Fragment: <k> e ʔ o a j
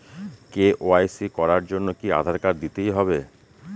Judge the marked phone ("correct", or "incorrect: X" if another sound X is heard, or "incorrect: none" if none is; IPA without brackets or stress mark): correct